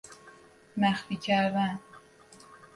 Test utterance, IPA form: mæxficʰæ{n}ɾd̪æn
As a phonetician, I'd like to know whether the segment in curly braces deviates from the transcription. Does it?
yes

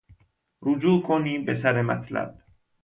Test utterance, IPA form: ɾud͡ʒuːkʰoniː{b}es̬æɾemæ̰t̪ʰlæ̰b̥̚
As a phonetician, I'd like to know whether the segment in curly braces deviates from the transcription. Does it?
no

